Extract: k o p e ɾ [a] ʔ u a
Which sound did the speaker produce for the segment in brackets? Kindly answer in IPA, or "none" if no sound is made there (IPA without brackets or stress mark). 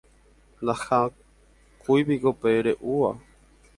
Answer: e